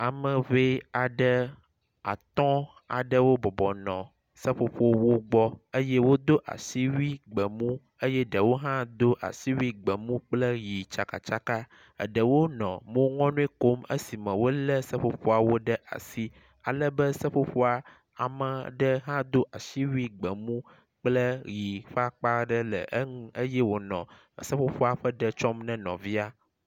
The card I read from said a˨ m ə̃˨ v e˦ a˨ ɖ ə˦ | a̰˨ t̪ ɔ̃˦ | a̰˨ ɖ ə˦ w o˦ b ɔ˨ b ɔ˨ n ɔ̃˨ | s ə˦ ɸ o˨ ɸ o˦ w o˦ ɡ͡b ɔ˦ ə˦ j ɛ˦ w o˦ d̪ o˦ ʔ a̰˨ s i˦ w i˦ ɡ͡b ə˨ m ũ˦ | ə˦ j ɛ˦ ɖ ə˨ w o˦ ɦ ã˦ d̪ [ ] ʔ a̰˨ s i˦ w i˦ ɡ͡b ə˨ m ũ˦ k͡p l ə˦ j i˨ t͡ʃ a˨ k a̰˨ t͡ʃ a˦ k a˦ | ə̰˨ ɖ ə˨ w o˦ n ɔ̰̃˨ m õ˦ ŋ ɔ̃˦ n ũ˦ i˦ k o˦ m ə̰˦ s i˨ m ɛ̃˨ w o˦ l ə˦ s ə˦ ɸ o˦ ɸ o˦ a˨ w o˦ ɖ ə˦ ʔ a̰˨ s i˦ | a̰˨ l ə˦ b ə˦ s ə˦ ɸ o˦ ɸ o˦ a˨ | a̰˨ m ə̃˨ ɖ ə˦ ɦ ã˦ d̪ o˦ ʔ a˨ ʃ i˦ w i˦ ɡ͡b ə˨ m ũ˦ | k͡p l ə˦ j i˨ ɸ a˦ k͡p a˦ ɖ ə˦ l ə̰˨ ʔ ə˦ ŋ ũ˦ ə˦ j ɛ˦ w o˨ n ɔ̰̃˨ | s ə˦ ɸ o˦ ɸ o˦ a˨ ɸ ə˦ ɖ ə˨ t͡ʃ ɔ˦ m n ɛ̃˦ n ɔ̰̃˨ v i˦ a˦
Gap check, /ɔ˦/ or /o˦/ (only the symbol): o˦